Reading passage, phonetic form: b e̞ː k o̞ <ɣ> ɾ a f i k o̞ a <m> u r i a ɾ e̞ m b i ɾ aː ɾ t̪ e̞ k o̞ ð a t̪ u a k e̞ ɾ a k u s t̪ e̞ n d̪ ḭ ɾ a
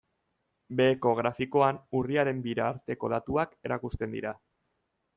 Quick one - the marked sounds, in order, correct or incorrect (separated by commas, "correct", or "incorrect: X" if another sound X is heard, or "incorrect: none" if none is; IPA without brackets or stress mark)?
correct, incorrect: n